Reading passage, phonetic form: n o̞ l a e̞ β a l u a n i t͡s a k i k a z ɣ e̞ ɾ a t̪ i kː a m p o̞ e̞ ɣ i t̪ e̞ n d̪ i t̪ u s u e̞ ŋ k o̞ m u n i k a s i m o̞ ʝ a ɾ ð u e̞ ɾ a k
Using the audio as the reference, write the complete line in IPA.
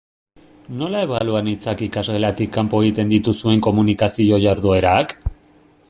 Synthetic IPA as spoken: n o̞ l a e̞ β a l u a n i t͡s a k i k a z ɣ e̞ l a t̪ i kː a m p o̞ e̞ ɣ i t̪ e̞ n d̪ i t̪ u s u e̞ ŋ k o̞ m u n i k a s i o̞ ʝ a ɾ ð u e̞ ɾ a k